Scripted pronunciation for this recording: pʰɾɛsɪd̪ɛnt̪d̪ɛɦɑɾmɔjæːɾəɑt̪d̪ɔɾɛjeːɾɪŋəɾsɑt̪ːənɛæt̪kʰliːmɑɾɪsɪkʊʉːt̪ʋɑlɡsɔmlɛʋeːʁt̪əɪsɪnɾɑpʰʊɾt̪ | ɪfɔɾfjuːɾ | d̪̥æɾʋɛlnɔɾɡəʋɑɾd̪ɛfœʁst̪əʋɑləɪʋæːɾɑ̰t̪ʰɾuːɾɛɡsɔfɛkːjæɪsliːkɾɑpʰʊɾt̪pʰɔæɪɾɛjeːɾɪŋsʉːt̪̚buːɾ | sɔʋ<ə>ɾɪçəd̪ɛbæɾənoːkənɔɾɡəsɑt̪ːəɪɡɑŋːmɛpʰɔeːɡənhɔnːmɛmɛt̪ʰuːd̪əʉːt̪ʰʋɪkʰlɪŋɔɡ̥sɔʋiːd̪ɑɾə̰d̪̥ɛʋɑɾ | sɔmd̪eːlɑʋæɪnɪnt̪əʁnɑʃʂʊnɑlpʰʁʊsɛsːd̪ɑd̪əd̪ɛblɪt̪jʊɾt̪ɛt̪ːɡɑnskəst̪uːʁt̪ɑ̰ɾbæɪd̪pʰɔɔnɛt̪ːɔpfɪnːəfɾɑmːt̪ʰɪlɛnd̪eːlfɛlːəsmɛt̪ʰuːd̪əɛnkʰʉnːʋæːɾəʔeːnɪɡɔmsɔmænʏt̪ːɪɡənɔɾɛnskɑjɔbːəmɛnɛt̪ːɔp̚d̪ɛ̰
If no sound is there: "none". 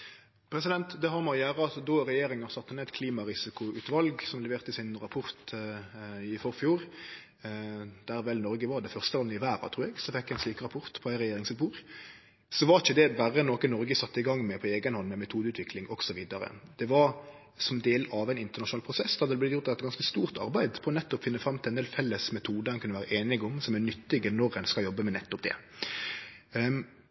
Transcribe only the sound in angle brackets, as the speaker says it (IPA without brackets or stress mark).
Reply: ɑ